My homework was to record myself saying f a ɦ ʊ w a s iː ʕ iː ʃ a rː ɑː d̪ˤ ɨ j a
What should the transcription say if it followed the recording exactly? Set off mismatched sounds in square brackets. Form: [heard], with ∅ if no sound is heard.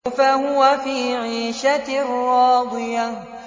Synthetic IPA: f a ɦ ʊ w a [f] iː ʕ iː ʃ a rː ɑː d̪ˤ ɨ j a